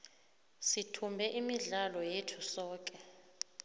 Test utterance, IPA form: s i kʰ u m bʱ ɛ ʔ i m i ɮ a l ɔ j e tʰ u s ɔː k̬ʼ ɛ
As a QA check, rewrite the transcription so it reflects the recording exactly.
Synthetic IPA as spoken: s i tʰ u m bʱ ɛ ʔ i m i ɮ a l ɔ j e tʰ u s ɔː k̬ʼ ɛ